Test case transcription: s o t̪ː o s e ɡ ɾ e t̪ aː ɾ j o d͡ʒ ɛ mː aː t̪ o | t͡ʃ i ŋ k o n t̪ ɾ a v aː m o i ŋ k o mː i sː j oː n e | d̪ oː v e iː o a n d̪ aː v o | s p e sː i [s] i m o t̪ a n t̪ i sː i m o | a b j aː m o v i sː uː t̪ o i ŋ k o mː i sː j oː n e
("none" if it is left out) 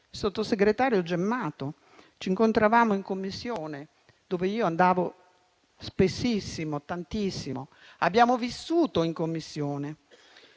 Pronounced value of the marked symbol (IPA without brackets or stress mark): sː